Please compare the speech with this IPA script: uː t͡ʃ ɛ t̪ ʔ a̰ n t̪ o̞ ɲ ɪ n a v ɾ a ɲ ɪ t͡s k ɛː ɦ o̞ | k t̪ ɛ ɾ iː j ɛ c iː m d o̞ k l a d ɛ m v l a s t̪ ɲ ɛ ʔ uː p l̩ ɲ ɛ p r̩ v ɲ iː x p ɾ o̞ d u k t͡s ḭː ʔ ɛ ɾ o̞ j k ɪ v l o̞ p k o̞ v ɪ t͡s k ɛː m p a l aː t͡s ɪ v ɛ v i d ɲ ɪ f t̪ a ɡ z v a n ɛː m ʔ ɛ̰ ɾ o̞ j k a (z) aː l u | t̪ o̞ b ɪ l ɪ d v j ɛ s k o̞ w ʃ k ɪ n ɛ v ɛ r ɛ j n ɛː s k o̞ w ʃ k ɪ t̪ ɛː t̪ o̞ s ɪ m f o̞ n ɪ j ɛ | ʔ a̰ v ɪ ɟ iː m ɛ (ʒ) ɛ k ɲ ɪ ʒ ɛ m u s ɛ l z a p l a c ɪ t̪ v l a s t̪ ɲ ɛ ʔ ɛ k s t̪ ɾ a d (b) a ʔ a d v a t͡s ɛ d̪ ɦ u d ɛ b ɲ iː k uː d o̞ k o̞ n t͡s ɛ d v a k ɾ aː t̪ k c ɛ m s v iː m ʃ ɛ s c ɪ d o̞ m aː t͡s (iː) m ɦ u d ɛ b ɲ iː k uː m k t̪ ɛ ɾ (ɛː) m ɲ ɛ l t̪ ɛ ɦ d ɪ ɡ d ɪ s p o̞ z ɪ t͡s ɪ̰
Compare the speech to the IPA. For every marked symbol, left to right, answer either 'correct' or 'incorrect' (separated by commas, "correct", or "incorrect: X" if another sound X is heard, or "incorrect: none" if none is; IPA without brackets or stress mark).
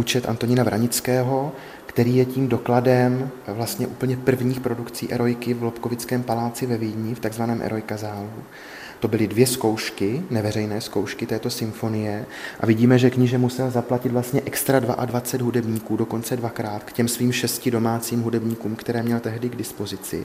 correct, correct, incorrect: v, correct, correct